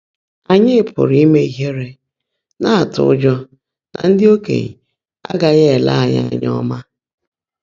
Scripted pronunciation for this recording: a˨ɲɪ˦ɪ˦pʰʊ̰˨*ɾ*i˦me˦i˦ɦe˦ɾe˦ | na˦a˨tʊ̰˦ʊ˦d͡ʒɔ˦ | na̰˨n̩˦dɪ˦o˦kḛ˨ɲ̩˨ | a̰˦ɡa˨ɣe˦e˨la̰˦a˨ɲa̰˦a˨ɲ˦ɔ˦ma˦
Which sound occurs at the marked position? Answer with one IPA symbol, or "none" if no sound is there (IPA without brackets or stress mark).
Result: ɾ